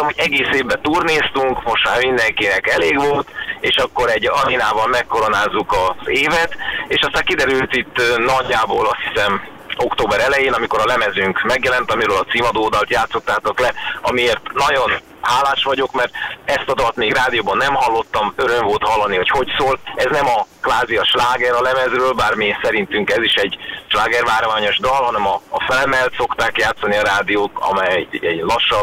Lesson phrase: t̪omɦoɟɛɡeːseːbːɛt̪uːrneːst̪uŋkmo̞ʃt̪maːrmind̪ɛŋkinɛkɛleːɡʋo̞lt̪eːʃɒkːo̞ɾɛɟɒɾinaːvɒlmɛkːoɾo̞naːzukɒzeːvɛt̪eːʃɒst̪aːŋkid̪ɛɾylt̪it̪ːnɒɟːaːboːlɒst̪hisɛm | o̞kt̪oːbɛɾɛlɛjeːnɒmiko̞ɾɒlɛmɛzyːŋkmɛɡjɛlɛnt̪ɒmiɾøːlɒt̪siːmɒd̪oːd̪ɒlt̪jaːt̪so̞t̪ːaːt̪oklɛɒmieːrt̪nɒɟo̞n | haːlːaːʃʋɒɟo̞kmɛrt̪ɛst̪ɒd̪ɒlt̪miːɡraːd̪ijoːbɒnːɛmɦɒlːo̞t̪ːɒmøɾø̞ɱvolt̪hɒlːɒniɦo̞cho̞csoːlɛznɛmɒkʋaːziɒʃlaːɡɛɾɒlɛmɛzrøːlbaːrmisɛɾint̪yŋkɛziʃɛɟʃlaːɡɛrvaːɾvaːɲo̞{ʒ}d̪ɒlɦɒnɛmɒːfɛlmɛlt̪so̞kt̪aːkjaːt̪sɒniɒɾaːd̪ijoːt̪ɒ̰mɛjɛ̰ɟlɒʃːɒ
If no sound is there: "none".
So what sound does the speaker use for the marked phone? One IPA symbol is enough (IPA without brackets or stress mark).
ʒ